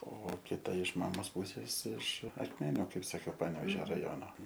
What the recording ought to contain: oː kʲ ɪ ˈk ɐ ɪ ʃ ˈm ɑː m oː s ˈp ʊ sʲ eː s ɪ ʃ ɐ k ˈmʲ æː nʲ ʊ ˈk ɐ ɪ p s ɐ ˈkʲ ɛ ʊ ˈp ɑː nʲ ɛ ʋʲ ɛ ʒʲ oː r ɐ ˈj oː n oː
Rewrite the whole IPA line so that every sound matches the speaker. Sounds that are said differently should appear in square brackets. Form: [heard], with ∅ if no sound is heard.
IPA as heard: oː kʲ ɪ [ˈt] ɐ ɪ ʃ ˈm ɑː m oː s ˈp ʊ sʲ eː s ɪ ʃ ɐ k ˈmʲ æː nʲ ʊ ˈk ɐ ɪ p s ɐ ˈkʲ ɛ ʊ ˈp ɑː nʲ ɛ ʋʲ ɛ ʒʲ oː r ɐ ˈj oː n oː

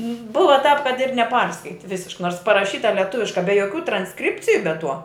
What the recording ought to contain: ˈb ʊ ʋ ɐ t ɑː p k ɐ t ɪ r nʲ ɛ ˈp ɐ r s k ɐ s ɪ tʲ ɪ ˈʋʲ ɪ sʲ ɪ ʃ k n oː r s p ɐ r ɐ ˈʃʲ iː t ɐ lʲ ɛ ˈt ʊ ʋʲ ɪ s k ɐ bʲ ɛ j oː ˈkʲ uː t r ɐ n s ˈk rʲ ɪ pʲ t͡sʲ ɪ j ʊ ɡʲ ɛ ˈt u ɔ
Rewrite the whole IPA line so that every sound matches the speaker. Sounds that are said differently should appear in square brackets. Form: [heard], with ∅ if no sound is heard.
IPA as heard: ˈb ʊ ʋ ɐ t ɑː p k ɐ t ɪ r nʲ ɛ ˈp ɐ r s k ɐ [∅] ɪ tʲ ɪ ˈʋʲ ɪ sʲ ɪ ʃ k n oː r s p ɐ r ɐ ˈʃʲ iː t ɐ lʲ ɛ ˈt ʊ ʋʲ ɪ [ʃ] k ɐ bʲ ɛ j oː ˈkʲ uː t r ɐ n s ˈk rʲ ɪ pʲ t͡sʲ ɪ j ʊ [bʲ] ɛ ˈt u ɔ

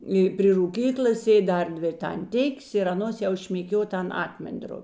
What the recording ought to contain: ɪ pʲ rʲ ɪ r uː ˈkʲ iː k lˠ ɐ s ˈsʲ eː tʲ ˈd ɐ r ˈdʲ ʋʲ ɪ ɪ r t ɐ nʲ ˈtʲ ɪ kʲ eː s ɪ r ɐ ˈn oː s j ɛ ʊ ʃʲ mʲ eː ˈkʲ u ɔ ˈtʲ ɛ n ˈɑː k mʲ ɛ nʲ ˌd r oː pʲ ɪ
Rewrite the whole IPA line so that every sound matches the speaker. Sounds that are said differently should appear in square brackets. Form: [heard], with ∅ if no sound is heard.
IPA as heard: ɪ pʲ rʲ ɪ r uː ˈkʲ iː k lˠ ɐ s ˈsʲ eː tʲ ˈd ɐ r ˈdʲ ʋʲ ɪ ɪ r t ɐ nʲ ˈtʲ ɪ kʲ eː s ɪ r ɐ ˈn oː s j ɛ ʊ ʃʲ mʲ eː ˈkʲ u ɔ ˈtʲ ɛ n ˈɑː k mʲ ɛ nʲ ˌd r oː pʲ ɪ

